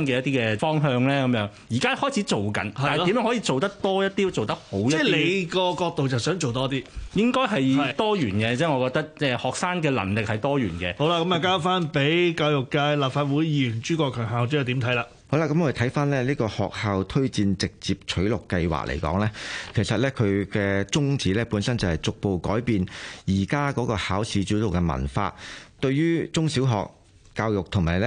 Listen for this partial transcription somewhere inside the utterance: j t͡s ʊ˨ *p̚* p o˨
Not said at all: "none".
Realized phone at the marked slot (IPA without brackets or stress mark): k̚